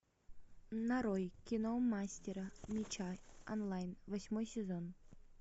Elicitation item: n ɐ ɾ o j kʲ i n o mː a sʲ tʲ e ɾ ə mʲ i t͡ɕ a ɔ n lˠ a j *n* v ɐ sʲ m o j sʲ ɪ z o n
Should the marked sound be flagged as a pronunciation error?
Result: no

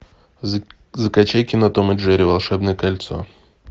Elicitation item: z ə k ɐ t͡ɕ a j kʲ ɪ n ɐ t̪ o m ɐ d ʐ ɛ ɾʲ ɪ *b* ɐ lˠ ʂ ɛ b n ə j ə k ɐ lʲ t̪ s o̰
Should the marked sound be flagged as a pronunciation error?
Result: yes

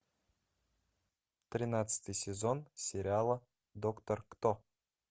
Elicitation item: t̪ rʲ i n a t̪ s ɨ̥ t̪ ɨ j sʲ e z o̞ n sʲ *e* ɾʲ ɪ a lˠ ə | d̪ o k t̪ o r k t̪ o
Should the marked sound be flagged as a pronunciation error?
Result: no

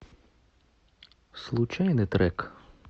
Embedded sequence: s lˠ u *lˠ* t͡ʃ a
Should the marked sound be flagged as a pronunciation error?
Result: yes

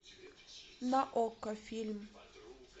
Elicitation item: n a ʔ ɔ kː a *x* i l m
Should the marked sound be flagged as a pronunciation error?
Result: yes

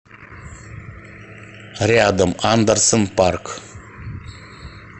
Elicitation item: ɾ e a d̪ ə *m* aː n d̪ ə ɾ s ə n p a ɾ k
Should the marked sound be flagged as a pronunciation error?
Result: no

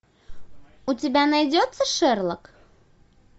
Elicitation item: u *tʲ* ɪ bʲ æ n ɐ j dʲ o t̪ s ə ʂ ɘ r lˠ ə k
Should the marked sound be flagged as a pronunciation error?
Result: no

